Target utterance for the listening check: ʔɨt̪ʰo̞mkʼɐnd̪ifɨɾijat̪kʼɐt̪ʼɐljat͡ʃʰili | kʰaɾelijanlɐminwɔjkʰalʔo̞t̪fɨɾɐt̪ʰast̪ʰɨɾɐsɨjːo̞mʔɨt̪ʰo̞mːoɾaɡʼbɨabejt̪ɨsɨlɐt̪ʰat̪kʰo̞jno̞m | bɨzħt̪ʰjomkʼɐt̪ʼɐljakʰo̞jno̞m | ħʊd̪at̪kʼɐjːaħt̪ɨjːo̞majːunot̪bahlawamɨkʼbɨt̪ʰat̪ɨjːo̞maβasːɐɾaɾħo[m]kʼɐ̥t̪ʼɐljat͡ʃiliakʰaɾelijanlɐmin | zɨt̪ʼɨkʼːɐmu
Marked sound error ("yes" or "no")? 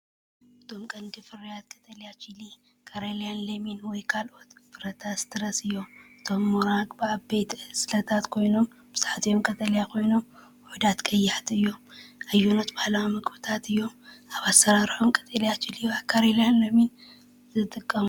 no